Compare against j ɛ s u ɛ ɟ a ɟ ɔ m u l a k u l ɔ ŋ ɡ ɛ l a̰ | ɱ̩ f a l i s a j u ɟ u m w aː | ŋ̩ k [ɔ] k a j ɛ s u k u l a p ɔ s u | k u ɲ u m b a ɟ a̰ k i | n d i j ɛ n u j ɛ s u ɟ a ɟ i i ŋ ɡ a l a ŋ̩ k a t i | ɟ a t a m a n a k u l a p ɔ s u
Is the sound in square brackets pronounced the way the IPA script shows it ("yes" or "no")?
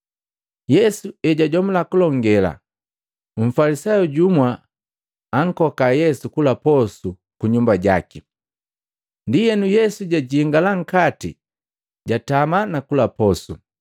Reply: yes